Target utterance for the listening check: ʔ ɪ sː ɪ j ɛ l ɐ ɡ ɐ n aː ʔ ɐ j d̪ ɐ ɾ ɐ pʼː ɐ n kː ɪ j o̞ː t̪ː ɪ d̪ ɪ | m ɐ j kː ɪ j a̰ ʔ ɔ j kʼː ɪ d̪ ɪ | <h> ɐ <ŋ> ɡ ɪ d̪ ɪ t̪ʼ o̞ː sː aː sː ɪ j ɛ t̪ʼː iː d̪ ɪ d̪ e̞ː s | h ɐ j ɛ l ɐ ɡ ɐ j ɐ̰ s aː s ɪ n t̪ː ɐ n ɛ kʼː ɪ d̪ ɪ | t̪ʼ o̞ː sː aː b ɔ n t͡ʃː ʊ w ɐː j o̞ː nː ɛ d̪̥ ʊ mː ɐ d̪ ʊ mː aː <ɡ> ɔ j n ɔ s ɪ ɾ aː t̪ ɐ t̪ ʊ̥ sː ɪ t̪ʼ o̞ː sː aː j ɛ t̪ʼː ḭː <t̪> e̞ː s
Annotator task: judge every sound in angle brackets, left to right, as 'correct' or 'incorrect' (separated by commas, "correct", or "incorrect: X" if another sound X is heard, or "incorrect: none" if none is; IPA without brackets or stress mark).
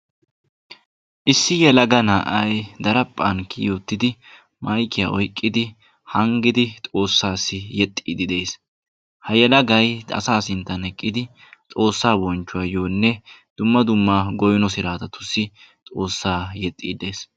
correct, correct, correct, incorrect: d̪